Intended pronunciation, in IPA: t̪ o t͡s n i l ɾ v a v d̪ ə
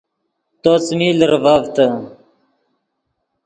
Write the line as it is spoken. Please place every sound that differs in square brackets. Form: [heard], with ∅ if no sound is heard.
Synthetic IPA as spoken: t̪ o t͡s [m] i l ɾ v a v [t̪] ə